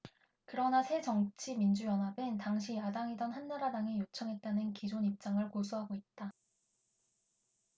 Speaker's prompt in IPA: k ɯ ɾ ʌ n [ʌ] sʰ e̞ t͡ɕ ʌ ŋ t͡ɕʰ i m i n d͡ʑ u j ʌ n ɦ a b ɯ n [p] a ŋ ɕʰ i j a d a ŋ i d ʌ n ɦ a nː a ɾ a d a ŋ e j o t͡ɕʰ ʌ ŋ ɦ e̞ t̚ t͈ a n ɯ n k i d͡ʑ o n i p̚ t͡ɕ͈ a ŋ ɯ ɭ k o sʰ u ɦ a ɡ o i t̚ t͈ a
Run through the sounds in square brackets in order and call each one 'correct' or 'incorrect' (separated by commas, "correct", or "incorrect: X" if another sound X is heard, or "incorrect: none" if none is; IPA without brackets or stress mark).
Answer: incorrect: a, incorrect: t